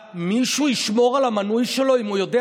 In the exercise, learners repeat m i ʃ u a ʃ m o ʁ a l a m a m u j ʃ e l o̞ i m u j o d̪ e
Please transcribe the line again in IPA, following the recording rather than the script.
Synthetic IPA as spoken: m i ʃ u i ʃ m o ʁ a l a m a n u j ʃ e l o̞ i m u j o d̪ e